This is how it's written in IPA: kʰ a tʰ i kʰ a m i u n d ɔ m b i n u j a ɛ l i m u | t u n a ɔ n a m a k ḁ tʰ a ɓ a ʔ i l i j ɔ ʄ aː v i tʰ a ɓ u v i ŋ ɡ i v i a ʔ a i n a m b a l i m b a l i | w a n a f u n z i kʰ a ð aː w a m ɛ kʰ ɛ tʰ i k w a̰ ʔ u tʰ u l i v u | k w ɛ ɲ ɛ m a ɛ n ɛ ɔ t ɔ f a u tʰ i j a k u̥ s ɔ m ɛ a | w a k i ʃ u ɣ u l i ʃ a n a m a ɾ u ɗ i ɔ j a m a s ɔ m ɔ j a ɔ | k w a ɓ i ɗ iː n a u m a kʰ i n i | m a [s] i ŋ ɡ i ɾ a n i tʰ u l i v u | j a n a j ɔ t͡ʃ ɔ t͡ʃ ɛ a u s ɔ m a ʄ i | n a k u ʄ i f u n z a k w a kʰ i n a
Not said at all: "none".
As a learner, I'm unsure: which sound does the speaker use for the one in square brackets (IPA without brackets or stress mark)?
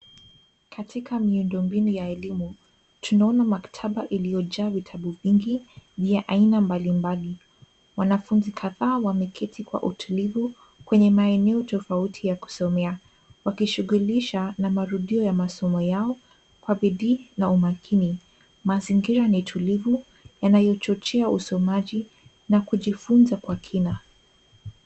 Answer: z